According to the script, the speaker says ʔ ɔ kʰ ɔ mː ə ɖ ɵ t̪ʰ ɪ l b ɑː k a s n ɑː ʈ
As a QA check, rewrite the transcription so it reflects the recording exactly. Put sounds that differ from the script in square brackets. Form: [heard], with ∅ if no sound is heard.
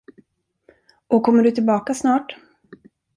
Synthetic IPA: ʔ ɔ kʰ ɔ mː ə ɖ ɵ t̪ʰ ɪ l b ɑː k a s n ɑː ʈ

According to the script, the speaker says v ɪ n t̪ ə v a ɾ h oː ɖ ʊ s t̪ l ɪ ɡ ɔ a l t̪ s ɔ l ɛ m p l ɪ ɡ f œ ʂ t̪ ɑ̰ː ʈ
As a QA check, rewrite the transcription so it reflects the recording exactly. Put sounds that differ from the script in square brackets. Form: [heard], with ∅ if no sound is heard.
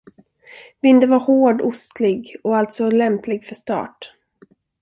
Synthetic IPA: v ɪ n [d̪] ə v a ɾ h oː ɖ ʊ s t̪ l ɪ ɡ ɔ a l t̪ s ɔ l ɛ m p l ɪ ɡ f œ ʂ t̪ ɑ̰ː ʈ

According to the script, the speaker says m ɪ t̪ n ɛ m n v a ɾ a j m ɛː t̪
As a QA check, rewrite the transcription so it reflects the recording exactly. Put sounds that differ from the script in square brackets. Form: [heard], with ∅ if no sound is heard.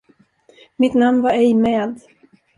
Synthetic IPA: m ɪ t̪ n [a] m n v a ɾ [ɛ] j m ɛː [d̪]

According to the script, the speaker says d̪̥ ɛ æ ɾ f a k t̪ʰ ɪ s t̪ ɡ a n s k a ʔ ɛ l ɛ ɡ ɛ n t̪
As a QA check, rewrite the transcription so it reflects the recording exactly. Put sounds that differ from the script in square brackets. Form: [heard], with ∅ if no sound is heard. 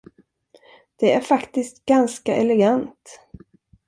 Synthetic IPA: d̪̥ ɛ æ ɾ f a k [t̪] ɪ s t̪ ɡ a n s k a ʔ ɛ l ɛ ɡ [a] n t̪

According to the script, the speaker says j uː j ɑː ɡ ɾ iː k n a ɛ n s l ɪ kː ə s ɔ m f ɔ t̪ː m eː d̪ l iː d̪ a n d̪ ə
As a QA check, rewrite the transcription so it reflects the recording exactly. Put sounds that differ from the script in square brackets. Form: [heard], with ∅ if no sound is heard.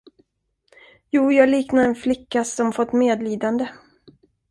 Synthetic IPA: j uː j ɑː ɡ [l] iː k n a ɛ n [f] l ɪ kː [a] s ɔ m f ɔ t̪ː m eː d̪ l iː d̪ a n d̪ ə

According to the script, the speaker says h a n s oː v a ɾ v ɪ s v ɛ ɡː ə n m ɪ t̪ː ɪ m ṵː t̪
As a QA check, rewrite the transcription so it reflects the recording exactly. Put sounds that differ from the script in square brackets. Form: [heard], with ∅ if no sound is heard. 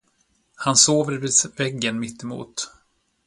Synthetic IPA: h a n s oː v [ə] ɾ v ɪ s v ɛ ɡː ə n m ɪ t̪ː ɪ m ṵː t̪

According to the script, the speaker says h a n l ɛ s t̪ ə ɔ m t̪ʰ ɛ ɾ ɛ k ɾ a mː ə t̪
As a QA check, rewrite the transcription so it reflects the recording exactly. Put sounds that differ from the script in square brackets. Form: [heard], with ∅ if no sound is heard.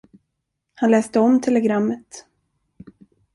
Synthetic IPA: h a n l [ɛː] s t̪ ə ɔ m t̪ʰ ɛ [l] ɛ [ɡ] ɾ a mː ə t̪

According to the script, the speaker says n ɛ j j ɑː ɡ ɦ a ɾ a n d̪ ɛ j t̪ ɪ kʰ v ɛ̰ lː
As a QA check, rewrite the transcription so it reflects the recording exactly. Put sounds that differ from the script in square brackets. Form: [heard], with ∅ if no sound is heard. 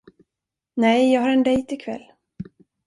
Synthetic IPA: n ɛ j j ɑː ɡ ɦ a ɾ [ɛ] n d̪ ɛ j t̪ ɪ kʰ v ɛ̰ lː

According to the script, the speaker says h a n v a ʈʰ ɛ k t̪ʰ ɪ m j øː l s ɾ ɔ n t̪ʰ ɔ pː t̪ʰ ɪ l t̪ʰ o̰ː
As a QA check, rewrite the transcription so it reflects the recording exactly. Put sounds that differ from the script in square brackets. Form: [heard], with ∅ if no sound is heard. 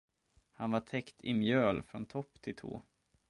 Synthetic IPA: h a n v a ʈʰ ɛ k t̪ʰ ɪ m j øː l [f] ɾ ɔ n t̪ʰ ɔ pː t̪ʰ ɪ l t̪ʰ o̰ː

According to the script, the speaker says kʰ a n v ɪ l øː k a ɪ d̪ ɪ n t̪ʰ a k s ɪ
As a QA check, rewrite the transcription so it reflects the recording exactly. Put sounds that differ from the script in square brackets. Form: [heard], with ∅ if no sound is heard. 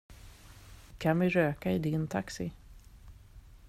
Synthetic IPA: kʰ a n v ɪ [ɾ] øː k a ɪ d̪ ɪ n t̪ʰ a k s ɪ

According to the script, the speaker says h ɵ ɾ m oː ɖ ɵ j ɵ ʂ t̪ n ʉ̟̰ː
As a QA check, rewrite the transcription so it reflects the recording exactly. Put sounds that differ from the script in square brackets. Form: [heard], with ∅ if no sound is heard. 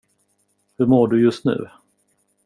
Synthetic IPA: h ɵ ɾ m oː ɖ ɵ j ɵ [s] t̪ n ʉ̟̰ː

